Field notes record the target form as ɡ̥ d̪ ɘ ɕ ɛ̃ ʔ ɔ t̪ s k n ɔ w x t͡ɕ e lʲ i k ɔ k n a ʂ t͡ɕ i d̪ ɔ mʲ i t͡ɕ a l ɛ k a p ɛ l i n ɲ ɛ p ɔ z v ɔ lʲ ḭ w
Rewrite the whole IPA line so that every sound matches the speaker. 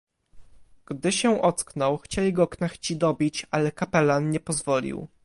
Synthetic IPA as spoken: ɡ̥ d̪ ɘ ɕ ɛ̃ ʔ ɔ t̪ s k n ɔ w x t͡ɕ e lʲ i ɡ ɔ k n a x t͡ɕ i d̪ ɔ bʲ i t͡ɕ a l ɛ k a p ɛ l a n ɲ ɛ p ɔ z v ɔ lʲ ḭ w